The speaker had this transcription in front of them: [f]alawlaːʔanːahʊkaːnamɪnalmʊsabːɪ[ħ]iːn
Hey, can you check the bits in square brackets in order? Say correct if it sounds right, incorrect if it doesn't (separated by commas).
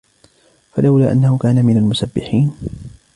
correct, correct